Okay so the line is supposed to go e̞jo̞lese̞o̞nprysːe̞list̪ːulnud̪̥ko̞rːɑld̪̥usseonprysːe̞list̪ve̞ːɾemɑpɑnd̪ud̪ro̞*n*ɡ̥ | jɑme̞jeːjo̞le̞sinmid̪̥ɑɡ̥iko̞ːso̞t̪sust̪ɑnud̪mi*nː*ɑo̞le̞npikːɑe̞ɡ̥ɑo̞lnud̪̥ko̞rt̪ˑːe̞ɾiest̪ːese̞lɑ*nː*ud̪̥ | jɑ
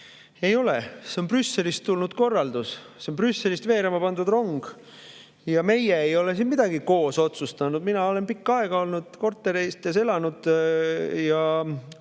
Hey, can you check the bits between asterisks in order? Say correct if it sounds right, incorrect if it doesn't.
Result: incorrect, incorrect, incorrect

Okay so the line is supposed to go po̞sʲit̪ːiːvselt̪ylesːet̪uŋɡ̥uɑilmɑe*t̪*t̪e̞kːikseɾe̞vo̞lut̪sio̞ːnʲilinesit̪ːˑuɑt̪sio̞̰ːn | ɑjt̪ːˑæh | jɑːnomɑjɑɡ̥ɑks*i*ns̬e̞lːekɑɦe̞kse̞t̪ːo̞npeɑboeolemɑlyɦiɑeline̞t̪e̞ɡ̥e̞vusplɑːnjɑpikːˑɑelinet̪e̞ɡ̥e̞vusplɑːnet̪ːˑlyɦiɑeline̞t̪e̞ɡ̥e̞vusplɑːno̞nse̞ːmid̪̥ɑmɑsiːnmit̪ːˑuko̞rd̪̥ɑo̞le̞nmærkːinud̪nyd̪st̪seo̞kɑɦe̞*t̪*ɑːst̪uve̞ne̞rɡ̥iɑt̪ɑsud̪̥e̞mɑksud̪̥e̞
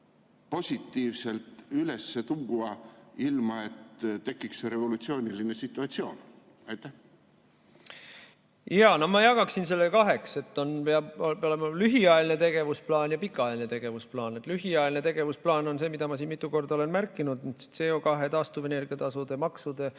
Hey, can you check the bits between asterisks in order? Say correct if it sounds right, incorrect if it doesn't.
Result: correct, correct, correct

